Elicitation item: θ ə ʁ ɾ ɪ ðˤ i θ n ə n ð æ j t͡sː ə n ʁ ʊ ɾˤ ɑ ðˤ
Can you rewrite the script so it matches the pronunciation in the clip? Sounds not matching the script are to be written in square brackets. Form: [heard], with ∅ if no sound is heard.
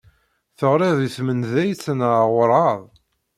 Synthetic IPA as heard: θ ə ʁ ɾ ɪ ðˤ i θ [m] ə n ð æ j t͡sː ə n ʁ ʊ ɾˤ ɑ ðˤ